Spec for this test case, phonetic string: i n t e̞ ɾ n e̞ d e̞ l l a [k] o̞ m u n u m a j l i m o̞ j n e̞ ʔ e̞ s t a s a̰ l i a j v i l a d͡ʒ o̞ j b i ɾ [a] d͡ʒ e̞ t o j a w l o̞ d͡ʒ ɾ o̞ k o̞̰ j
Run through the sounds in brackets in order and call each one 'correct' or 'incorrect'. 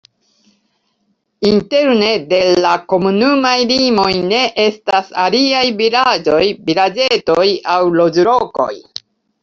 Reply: correct, correct

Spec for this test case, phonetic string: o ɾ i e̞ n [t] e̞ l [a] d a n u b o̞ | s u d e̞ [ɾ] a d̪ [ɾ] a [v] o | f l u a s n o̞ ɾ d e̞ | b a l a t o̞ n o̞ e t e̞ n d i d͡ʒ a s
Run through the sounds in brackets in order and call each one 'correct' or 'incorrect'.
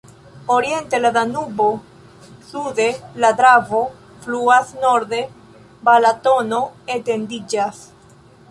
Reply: correct, correct, incorrect: l, correct, correct

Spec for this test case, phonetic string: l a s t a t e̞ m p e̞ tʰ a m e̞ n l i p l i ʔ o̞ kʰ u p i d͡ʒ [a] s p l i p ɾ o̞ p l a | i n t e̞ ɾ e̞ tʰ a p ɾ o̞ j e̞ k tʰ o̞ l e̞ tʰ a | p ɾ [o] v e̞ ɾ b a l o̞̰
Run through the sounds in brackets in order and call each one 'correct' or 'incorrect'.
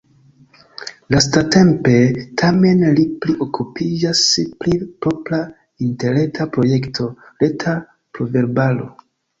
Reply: correct, correct

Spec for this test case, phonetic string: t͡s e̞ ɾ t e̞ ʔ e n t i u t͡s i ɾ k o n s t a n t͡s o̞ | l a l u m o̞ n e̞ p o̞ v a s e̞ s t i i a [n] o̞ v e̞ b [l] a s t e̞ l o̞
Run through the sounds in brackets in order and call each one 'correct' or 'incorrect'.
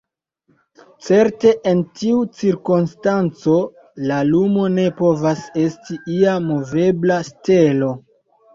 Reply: incorrect: m, correct

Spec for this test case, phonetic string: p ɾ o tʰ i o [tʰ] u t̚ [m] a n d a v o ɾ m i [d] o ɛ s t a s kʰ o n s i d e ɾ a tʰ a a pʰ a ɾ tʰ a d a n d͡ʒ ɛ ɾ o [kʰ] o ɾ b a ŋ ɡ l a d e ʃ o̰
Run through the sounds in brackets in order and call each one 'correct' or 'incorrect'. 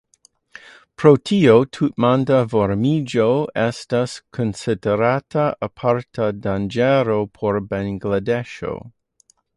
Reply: correct, correct, incorrect: d͡ʒ, incorrect: pʰ

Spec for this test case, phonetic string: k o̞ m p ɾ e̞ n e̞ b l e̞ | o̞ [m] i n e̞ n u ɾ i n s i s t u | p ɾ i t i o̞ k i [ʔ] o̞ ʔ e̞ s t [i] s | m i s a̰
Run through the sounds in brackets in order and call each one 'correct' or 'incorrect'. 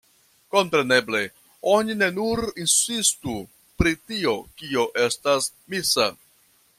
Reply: incorrect: n, incorrect: none, incorrect: a

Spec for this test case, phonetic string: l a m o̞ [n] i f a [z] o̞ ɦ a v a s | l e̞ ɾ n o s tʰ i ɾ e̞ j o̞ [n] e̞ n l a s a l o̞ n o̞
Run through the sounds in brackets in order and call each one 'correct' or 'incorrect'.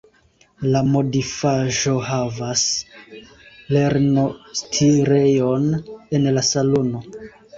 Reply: incorrect: d, incorrect: ʒ, correct

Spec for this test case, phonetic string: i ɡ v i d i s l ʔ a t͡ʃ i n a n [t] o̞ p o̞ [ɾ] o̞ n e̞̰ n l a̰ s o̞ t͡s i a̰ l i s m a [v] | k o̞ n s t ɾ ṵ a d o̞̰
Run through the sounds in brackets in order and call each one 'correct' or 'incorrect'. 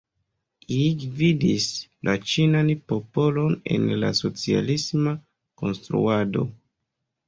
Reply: incorrect: p, incorrect: l, incorrect: none

